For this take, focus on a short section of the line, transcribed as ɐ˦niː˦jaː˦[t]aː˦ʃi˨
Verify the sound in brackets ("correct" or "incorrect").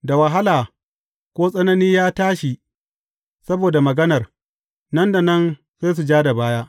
correct